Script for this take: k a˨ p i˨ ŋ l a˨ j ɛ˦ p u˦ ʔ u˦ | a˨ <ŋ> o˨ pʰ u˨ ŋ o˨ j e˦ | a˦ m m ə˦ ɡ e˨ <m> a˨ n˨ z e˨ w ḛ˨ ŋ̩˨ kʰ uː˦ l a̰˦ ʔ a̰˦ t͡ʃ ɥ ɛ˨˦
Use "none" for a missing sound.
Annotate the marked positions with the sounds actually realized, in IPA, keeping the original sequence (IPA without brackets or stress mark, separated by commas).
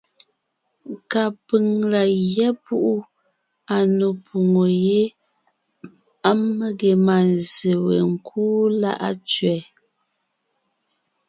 n, m